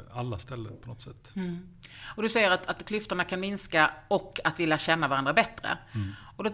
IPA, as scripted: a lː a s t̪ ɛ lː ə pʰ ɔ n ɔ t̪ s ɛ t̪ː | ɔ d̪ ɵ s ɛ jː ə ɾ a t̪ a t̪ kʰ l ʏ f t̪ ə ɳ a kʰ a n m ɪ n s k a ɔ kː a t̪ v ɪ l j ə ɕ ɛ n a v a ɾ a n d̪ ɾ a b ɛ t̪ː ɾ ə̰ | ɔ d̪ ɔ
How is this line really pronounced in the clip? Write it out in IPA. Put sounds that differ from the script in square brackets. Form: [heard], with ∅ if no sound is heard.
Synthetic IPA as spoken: a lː a s t̪ ɛ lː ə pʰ ɔ n ɔ t̪ s ɛ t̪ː | ɔ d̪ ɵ s ɛ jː ə ɾ a t̪ a t̪ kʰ l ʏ f t̪ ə ɳ a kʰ a n m ɪ n s k a ɔ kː a t̪ v ɪ l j [a] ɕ ɛ [nː] a v a ɾ a n d̪ ɾ a b ɛ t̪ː ɾ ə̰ | ɔ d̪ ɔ